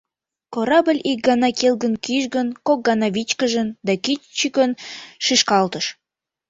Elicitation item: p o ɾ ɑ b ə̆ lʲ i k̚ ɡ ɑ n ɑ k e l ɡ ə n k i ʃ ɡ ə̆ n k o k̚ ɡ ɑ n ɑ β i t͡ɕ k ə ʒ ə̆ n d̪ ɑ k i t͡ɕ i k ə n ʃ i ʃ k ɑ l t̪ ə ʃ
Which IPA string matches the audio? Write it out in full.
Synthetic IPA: k o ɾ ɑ b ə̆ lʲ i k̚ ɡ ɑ n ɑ k e l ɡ ə n k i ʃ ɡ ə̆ n k o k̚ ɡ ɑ n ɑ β i t͡ɕ k ə ʒ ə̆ n d̪ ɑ k i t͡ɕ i k ə n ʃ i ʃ k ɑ l t̪ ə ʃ

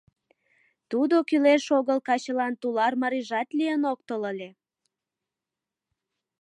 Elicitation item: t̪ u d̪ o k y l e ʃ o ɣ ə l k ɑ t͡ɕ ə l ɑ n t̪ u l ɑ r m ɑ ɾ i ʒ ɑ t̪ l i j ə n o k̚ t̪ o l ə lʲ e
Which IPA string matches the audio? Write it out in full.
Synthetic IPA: t̪ u d̪ o k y l e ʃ o ɣ ə l k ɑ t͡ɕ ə l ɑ n t̪ u l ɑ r m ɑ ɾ i ʒ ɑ t̪ l i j ə n o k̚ t̪ o l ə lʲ e

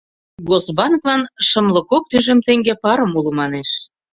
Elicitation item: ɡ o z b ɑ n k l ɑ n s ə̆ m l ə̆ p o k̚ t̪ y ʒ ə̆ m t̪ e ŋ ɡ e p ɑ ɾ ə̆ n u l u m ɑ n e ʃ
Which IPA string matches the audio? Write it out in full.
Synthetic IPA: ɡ o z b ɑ n k l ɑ n ʃ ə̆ m l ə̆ k o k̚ t̪ y ʒ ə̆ m t̪ e ŋ ɡ e p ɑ ɾ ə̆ m u l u m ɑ n e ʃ

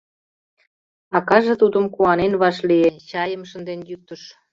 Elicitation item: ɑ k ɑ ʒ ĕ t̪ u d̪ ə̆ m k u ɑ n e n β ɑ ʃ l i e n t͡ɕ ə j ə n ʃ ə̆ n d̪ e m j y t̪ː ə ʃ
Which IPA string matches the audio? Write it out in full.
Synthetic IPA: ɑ k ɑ ʒ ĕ t̪ u d̪ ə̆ m k u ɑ n e n β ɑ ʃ l i e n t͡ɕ ɑ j ə m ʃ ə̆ n d̪ e n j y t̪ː ə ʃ

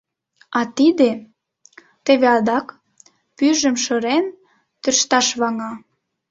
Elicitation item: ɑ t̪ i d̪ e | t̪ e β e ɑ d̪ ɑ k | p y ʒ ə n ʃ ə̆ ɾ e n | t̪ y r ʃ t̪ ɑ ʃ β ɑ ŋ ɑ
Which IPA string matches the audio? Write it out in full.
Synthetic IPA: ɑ t̪ i d̪ e | t̪ e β e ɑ d̪ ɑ k | p y ʒ ə m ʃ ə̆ ɾ e n | t̪ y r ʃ t̪ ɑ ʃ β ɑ ŋ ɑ

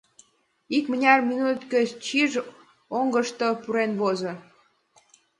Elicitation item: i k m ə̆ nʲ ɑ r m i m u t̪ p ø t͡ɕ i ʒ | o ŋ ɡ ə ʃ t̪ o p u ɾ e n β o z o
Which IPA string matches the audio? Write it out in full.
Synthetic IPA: i k m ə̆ nʲ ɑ r m i n u t̪ k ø t͡ɕ i ʒ | o ŋ ɡ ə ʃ t̪ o p u ɾ e n β o z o

